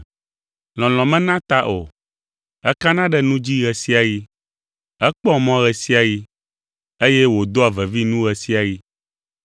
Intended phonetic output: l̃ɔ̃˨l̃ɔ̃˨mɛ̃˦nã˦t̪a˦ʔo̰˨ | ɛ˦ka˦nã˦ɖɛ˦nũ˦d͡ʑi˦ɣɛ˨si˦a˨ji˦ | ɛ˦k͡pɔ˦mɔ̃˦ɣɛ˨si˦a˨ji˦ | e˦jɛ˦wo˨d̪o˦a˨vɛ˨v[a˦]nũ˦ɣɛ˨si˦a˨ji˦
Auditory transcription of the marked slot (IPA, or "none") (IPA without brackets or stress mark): i˦